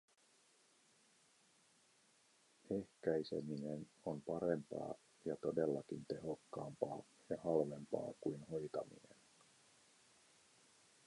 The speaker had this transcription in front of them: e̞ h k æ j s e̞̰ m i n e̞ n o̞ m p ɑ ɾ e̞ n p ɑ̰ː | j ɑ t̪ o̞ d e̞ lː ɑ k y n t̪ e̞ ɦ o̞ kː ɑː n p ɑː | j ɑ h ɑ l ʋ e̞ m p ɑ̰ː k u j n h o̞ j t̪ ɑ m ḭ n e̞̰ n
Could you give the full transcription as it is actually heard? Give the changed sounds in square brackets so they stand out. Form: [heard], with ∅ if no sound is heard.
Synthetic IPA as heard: e̞ h k æ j s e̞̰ m i n e̞ n o̞ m p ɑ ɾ e̞ [m] p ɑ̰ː | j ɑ t̪ o̞ d e̞ lː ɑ k [i] n t̪ e̞ ɦ o̞ kː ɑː [m] p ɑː | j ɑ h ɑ l ʋ e̞ m p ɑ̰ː k u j n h o̞ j t̪ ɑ m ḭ n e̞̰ n